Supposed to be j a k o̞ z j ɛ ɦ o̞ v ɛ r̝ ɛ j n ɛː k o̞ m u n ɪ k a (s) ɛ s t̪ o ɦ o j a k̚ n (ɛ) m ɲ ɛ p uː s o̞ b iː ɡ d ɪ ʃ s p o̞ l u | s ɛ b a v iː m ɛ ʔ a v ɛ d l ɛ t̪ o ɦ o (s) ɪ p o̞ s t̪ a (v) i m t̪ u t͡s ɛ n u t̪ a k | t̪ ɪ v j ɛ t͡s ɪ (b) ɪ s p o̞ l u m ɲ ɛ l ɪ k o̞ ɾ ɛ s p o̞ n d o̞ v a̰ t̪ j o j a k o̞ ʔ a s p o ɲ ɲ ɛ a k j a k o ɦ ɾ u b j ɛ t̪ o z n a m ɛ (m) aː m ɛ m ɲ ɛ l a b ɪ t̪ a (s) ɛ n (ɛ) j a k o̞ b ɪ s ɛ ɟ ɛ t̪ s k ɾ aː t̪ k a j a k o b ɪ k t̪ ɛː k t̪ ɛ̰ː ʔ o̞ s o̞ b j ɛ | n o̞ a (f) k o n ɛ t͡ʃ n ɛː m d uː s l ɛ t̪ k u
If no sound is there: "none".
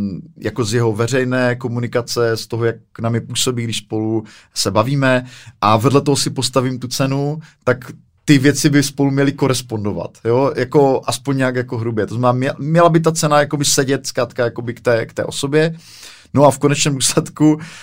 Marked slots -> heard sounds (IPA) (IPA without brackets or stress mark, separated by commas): t͡s, a, s, v, b, n, t͡s, a, f